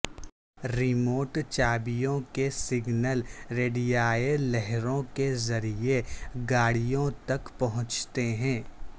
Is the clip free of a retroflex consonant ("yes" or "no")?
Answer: no